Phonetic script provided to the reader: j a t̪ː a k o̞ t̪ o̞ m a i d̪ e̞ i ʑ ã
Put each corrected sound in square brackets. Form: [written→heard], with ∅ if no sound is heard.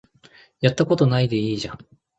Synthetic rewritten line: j a t̪ː a k o̞ t̪ o̞ [m→n] a i d̪ e̞ [i→iː] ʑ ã